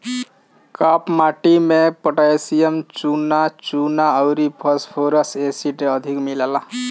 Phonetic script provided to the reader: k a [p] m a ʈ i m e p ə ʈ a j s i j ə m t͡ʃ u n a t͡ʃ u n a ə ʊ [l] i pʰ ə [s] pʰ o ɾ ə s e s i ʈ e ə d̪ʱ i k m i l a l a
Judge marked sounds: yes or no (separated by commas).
yes, no, yes